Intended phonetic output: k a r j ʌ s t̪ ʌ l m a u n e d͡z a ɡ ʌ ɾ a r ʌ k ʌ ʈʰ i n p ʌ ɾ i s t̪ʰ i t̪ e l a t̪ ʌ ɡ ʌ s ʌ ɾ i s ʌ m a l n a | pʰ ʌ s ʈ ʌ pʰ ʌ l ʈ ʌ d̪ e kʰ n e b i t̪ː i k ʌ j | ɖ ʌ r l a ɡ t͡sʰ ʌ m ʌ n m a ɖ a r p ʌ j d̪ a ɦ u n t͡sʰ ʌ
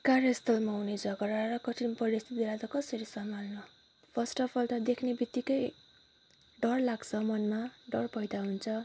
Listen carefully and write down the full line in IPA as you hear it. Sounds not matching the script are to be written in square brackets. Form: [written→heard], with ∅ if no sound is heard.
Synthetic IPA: k a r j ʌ s t̪ ʌ l m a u n e d͡z [a→ʌ] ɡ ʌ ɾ a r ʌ k ʌ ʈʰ i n p ʌ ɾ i s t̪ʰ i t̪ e l a t̪ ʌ [ɡ→k] ʌ s ʌ ɾ i s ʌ m a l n [a→ʌ] | pʰ ʌ s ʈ ʌ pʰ ʌ l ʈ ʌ d̪ e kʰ n e b i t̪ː i k ʌ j | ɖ ʌ r l a ɡ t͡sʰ ʌ m ʌ n m a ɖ [a→ʌ] r p ʌ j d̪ a ɦ u n t͡sʰ ʌ